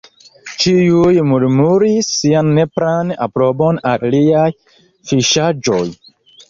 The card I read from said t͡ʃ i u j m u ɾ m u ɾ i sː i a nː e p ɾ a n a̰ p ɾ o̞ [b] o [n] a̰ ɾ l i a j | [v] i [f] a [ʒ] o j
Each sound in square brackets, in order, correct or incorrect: correct, correct, incorrect: f, incorrect: ʃ, incorrect: d͡ʒ

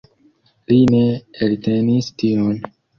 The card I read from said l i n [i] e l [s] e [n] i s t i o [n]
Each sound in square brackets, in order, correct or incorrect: incorrect: e, incorrect: t, correct, correct

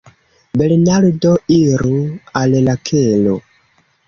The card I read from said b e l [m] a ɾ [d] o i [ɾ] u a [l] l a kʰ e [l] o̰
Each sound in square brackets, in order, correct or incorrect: incorrect: n, correct, correct, correct, correct

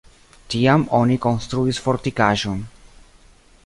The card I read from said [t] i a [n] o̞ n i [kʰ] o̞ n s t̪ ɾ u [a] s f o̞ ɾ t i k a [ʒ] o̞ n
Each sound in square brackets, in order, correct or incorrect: correct, incorrect: m, incorrect: k, incorrect: i, correct

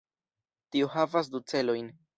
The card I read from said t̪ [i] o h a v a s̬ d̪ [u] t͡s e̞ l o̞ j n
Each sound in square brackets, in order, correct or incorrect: correct, correct

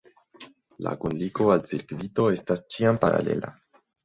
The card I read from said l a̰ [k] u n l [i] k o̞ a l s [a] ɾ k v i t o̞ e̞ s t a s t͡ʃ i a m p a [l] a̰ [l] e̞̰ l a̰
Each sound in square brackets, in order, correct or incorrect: correct, correct, incorrect: i, incorrect: ɾ, correct

